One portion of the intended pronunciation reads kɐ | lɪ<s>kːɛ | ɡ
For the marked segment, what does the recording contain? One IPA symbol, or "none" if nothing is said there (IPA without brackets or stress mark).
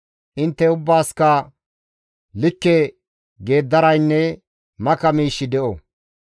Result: none